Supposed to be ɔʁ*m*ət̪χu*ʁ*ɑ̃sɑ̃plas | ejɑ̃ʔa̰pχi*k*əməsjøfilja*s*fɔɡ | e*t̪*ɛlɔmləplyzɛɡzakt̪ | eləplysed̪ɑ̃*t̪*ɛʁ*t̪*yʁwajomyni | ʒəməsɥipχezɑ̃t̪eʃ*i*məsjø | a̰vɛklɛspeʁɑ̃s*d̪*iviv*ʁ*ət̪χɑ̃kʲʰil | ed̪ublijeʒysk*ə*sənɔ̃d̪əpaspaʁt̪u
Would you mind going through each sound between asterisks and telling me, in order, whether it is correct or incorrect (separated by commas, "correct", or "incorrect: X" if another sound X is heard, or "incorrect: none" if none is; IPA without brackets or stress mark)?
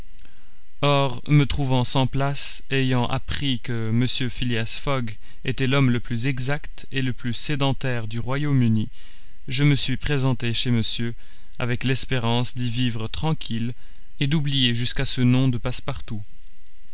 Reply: correct, incorrect: v, correct, correct, correct, correct, incorrect: d̪, incorrect: e, correct, correct, incorrect: a